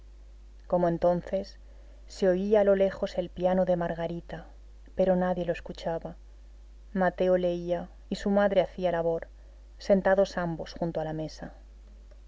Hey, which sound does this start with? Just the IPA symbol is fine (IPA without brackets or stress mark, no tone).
k